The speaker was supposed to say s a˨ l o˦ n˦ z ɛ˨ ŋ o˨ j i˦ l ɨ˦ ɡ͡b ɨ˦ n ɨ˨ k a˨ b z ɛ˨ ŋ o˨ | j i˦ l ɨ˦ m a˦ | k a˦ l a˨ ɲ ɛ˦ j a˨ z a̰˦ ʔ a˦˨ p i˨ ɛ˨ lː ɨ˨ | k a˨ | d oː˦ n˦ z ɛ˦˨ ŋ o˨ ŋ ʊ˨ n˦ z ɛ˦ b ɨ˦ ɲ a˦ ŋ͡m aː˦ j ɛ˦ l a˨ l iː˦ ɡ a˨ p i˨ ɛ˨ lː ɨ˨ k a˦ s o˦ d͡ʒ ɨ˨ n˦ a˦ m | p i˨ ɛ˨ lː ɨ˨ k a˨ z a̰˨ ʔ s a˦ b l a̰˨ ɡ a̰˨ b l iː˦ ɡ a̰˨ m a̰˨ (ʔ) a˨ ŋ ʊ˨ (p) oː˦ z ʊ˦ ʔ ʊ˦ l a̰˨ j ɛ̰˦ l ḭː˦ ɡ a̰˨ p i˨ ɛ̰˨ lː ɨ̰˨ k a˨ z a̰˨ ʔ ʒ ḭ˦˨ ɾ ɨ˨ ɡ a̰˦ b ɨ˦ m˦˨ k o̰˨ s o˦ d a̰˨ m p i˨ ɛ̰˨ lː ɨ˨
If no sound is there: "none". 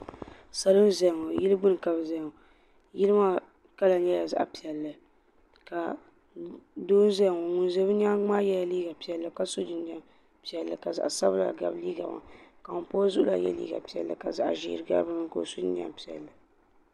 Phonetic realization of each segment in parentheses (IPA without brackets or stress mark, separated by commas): k, p